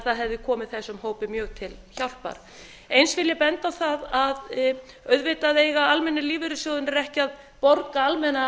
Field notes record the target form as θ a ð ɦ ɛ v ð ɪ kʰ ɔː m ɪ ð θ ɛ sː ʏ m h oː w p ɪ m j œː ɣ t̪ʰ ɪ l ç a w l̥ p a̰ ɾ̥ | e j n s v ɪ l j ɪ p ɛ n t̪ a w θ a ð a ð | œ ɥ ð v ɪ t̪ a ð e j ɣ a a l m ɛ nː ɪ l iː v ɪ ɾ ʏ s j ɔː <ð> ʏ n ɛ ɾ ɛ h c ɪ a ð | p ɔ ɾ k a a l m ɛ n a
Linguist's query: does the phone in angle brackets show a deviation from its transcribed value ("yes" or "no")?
no